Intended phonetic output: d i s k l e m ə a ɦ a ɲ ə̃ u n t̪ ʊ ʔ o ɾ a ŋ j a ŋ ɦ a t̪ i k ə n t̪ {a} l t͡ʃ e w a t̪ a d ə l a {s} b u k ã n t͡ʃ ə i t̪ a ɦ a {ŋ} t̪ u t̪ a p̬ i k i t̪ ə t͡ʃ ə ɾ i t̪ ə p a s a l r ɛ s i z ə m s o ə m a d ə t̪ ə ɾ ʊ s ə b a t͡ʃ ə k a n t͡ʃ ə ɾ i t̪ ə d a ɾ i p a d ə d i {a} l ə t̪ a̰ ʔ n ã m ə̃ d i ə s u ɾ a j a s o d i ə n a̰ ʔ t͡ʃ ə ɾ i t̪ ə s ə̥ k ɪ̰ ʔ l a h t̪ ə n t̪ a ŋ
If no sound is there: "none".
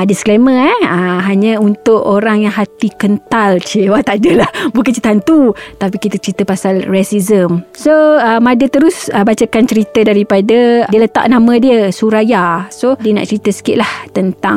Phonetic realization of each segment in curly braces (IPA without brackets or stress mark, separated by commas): a, h, n, ə